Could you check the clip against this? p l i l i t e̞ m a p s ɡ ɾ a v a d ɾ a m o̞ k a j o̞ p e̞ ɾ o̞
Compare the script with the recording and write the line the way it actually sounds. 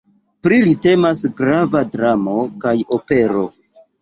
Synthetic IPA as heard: p ɾ i l i t e̞ m a s ɡ ɾ a v a d ɾ a m o̞ k a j o̞ p e̞ ɾ o̞